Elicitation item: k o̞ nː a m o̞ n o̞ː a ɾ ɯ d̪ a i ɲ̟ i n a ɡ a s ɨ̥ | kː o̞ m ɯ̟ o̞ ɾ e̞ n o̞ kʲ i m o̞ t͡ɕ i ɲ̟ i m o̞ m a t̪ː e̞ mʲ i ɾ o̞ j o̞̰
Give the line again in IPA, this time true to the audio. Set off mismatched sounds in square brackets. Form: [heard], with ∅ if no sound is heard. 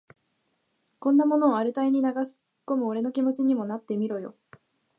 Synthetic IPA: k [õ̞] nː a m o̞ n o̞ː a ɾ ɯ [t̪] a i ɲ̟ i n a ɡ a s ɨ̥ | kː o̞ m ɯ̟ o̞ ɾ e̞ n o̞ kʲ i m o̞ t͡ɕ i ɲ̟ i m o̞ [n] a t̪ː e̞ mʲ i ɾ o̞ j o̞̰

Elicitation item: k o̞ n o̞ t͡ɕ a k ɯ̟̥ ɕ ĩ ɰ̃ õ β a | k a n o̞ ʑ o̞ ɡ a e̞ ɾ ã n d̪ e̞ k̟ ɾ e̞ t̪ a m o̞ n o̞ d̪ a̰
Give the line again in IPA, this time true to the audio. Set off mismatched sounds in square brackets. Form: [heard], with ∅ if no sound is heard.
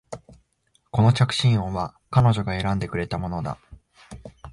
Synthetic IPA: k o̞ n o̞ t͡ɕ a k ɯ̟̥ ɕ ĩ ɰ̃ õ β a | k a n o̞ ʑ o̞ ɡ a e̞ ɾ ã n d̪ e̞ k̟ ɾ e̞ t̪ a m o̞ n o̞ d̪ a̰

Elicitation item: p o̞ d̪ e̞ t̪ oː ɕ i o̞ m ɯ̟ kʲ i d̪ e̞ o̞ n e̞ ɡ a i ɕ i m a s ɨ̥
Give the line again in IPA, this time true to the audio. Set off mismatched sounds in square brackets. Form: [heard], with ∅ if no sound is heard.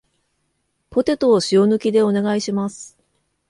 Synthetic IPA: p o̞ [t̪] e̞ t̪ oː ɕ i o̞ [n] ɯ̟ kʲ i d̪ e̞ o̞ n e̞ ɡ a i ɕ i m a s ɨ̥

